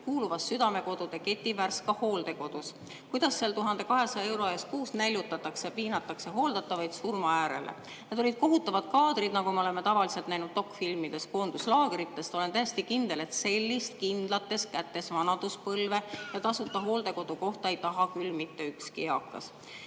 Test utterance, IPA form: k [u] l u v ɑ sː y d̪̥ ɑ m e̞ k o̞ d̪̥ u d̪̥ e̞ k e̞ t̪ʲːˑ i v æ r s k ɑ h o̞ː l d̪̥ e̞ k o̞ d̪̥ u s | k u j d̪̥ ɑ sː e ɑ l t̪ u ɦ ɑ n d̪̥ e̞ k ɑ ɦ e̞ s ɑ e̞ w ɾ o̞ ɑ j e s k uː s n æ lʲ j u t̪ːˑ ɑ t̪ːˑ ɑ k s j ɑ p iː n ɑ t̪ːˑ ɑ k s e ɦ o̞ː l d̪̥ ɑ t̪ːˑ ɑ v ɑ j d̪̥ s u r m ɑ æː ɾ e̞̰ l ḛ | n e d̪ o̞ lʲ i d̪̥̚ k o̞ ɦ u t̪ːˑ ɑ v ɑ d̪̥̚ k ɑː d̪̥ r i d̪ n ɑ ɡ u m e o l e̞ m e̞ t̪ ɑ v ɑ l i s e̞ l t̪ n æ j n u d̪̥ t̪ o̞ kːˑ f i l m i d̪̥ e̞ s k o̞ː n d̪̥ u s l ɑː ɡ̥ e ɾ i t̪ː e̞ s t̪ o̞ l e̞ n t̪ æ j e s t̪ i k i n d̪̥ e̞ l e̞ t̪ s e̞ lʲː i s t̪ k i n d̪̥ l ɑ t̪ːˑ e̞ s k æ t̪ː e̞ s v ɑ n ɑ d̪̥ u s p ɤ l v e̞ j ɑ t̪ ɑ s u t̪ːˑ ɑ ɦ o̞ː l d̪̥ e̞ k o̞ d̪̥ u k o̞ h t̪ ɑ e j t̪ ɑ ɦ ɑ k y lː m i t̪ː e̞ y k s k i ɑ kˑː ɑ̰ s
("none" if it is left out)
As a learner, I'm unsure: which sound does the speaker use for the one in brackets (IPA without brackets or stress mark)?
uː